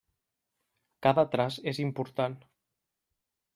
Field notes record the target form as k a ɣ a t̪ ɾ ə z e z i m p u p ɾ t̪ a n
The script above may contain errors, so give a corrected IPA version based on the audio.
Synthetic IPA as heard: k a ð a t̪ ɾ a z e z i m p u ɾ t̪ a n